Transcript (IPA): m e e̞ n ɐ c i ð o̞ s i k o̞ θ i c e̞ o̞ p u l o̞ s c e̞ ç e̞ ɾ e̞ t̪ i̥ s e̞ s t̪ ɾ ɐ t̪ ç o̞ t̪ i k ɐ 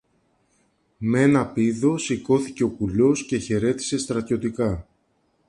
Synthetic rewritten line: m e e̞ n ɐ p i ð o̞ s i k o̞ θ i c e̞ o̞ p u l o̞ s c e̞ ç e̞ ɾ e̞ t̪ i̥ s e̞ s t̪ ɾ ɐ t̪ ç o̞ t̪ i k ɐ